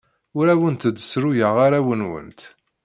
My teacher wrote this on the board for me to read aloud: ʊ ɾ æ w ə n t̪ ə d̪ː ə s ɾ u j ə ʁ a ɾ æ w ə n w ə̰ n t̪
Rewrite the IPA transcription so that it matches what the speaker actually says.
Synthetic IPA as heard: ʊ ɾ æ w ə n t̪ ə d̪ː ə s ɾ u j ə ʁ a ɾ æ w ə n w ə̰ n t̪